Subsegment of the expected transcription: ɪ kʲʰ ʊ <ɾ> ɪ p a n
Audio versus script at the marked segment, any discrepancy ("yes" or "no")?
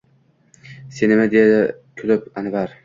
yes